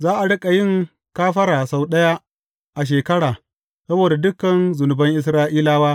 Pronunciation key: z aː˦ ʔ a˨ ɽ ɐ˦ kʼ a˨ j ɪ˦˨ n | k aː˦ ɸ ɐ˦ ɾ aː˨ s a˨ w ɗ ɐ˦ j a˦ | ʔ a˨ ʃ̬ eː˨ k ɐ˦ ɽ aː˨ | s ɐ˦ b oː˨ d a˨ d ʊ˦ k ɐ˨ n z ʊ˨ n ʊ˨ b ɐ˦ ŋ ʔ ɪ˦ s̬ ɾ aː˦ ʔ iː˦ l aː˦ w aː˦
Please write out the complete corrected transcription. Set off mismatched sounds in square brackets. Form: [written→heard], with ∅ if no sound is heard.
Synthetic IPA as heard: z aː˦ ʔ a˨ ɽ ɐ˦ kʼ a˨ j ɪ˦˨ [n→ŋ] | k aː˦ ɸ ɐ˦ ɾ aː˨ s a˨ w ɗ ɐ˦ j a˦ | ʔ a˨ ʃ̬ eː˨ k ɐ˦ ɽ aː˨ | s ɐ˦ b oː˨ d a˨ d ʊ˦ k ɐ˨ n z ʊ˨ n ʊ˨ b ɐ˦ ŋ ʔ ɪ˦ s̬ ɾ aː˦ ʔ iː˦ l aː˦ w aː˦

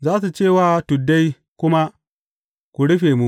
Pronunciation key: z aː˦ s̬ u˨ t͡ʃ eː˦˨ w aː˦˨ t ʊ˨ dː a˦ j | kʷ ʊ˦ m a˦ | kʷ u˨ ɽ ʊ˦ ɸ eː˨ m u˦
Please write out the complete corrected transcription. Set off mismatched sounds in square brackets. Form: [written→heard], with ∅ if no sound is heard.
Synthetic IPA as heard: z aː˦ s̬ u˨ t͡ʃ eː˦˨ w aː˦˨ t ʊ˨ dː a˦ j | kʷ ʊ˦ m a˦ | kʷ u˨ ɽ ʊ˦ ɸ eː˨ m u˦

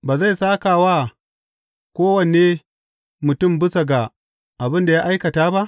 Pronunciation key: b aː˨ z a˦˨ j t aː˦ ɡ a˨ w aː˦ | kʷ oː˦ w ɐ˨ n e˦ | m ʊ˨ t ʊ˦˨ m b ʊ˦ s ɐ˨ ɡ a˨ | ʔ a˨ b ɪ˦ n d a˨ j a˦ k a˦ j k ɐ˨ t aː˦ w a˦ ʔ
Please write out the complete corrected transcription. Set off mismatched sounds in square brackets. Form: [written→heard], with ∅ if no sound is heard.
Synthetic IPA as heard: b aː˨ z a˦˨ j [t→s] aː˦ [ɡ→k] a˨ w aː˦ | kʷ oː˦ w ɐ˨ n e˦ | m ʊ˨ t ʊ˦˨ m b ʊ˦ s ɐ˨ ɡ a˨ | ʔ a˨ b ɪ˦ n d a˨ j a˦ [k→ʔ] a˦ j k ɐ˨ t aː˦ [w→b] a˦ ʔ

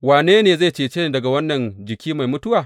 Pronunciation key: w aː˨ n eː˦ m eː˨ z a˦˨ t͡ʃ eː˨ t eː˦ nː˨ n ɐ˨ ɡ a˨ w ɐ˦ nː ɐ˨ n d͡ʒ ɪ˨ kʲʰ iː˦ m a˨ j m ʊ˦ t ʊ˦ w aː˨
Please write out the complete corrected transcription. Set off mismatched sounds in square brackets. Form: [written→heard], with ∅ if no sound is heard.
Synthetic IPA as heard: w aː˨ n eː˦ [m→n] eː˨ z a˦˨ t͡ʃ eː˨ [t→t͡ʃ] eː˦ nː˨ [n→d] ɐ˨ ɡ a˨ w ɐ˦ nː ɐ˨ n d͡ʒ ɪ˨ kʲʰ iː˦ m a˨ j m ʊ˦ t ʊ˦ w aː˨

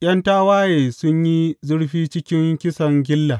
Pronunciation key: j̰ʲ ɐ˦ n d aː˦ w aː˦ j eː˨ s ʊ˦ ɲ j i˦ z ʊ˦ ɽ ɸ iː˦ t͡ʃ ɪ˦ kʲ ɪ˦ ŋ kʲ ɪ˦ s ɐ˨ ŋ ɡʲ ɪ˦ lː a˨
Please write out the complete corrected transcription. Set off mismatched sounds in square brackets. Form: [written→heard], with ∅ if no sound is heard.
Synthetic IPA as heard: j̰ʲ ɐ˦ n [d→t] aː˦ w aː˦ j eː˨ s ʊ˦ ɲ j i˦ z ʊ˦ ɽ ɸ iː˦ t͡ʃ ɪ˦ kʲ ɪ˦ ŋ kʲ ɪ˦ s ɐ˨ ŋ ɡʲ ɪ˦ lː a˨

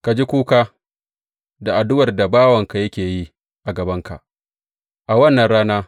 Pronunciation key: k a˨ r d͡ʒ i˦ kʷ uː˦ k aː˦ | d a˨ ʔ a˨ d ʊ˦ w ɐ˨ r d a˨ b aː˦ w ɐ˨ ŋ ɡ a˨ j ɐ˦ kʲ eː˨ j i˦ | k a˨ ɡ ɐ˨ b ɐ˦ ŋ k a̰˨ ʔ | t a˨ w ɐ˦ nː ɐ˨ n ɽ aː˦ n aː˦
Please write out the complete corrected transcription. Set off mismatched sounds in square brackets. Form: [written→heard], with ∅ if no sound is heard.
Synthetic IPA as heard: k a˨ [r→∅] d͡ʒ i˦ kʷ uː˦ k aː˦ | d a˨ ʔ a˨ d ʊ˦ w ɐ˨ r d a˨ b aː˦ w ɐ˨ ŋ [ɡ→k] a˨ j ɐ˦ kʲ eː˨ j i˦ | [k→ʔ] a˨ ɡ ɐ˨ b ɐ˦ ŋ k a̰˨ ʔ | [t→ʔ] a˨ w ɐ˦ nː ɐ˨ n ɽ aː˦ n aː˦

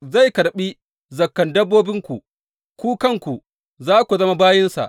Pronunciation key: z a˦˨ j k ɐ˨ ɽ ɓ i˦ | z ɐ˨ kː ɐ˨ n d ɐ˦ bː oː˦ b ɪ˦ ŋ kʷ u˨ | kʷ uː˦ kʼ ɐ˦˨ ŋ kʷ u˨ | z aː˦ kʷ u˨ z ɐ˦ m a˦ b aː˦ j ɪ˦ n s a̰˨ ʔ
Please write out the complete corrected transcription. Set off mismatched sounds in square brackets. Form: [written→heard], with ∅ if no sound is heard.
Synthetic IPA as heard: z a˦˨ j k ɐ˨ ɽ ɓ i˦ | z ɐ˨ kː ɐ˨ n d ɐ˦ bː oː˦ b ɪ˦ ŋ kʷ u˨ | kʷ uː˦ [kʼ→k] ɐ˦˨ ŋ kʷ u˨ | z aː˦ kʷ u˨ z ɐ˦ m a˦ b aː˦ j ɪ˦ n s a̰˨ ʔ

